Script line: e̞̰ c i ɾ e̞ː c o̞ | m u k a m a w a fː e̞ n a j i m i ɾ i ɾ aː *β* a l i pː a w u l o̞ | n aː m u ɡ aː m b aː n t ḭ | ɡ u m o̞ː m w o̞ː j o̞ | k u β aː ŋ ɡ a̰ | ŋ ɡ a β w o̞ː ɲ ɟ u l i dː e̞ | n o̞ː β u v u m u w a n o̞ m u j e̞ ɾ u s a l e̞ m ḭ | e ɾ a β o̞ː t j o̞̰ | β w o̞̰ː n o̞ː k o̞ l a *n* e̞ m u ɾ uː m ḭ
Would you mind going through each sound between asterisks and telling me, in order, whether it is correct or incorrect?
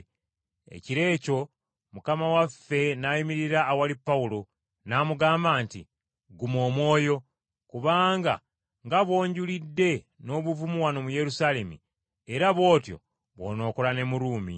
incorrect, correct

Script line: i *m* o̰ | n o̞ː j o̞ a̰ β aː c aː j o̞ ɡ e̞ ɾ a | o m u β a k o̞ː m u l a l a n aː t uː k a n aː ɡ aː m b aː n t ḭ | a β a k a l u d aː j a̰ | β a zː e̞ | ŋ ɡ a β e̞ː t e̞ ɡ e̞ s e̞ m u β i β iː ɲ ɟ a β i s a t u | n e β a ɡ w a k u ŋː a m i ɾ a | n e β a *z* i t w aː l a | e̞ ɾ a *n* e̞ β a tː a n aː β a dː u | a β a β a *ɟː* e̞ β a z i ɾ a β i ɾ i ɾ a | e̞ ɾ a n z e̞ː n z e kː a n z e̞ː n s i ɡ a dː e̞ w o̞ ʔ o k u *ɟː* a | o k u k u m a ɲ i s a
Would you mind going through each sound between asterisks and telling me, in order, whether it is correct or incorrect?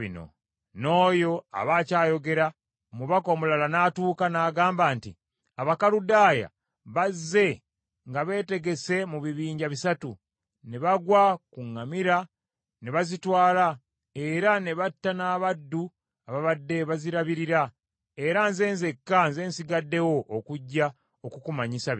incorrect, correct, correct, incorrect, correct

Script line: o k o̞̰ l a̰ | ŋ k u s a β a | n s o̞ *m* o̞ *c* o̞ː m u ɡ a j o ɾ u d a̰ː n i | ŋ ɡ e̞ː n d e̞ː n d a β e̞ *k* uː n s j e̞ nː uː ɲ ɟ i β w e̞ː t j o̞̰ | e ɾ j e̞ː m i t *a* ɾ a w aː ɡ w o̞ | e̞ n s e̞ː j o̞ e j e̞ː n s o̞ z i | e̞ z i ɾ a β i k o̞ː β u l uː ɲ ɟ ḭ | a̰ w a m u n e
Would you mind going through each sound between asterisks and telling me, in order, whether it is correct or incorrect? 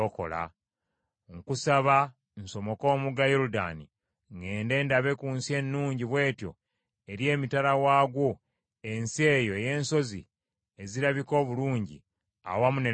correct, incorrect, correct, correct

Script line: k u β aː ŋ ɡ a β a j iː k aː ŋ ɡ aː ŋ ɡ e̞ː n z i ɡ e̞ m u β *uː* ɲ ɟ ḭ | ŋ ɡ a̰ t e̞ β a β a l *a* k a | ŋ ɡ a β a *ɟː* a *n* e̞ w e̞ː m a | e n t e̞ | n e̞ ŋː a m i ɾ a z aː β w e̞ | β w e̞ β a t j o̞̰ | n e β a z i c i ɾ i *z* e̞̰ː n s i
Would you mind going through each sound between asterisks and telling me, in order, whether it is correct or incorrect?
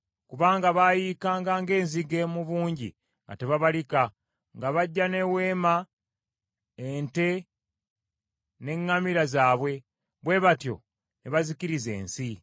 correct, incorrect, correct, correct, correct

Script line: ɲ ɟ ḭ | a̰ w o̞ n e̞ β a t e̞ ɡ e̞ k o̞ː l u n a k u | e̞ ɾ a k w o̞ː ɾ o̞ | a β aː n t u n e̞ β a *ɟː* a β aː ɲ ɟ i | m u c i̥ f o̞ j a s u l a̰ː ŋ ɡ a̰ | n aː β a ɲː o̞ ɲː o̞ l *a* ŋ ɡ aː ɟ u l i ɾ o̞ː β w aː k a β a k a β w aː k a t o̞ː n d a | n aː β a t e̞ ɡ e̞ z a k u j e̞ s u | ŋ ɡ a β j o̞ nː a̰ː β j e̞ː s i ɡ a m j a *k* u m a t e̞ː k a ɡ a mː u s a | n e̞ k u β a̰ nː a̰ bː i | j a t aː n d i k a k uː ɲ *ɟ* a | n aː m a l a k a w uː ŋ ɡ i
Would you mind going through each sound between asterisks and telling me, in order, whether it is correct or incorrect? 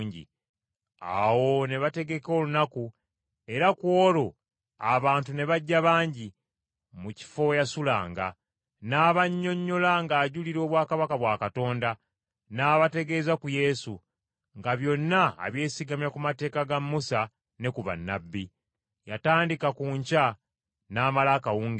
correct, correct, correct, incorrect

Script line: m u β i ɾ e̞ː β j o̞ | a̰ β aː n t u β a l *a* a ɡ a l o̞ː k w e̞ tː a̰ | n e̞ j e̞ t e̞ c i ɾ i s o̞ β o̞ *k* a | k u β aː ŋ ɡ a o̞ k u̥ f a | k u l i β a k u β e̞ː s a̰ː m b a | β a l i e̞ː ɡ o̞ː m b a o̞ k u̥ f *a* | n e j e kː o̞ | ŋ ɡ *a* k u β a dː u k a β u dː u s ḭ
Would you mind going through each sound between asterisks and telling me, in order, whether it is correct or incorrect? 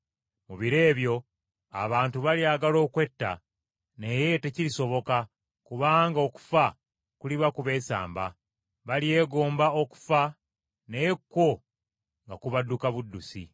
incorrect, correct, correct, correct

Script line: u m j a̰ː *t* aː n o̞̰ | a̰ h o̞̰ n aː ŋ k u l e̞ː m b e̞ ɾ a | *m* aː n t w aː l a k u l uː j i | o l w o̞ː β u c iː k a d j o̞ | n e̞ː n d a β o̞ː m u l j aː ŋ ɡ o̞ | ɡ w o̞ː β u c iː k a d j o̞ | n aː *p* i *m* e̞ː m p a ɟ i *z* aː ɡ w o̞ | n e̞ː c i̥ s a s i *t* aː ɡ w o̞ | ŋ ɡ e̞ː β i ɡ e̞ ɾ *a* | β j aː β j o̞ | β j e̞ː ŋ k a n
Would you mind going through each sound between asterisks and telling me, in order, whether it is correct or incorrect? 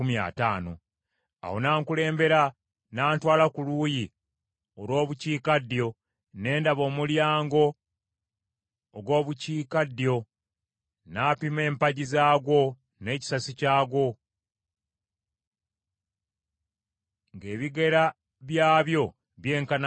correct, incorrect, correct, correct, correct, incorrect, correct

